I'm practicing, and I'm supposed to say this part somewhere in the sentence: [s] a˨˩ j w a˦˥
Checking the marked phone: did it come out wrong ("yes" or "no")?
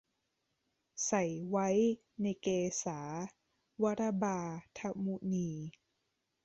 no